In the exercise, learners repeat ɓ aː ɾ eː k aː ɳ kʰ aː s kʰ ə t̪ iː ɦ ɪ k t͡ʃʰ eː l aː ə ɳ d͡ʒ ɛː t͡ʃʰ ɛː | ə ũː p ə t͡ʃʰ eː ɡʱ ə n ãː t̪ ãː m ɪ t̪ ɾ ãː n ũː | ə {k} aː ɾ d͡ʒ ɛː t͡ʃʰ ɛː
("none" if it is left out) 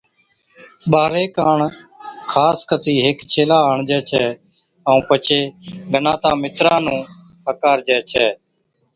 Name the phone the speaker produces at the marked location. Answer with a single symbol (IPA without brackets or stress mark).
k